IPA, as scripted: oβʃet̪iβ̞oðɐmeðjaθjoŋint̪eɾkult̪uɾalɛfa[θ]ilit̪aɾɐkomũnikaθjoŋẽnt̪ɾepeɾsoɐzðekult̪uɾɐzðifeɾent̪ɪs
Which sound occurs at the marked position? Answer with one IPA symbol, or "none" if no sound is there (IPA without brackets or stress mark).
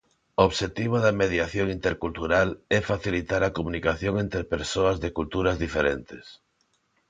θ